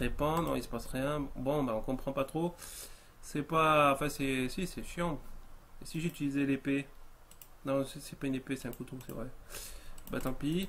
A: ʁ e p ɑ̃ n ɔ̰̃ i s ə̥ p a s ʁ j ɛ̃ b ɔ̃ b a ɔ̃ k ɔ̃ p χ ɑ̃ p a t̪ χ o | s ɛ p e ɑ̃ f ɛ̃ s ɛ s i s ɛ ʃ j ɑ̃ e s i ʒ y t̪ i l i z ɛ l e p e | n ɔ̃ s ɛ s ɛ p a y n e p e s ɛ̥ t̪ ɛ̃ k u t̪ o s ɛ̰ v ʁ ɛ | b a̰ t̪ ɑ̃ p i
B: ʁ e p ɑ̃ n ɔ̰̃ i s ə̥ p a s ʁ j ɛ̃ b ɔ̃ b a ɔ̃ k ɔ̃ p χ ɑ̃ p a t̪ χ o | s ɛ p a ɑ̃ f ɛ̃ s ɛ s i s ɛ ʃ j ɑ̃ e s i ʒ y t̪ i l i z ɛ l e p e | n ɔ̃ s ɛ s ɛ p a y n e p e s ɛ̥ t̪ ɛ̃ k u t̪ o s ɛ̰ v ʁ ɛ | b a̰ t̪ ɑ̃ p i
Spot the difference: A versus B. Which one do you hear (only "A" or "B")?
B